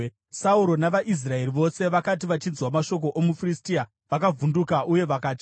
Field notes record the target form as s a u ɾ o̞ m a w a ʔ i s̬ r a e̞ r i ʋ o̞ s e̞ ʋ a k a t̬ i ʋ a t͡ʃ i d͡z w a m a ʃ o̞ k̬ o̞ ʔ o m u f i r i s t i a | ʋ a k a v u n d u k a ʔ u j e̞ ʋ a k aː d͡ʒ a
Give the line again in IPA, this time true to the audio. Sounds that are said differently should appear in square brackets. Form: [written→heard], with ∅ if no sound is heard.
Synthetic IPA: s a u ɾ o̞ [m→n] a [w→ʋ] a ʔ i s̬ r a e̞ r i ʋ o̞ s e̞ ʋ a k a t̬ i ʋ a t͡ʃ i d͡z w a m a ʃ o̞ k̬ o̞ ʔ o m u f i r i s t i a | ʋ a k a v u n d u k a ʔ u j e̞ ʋ a k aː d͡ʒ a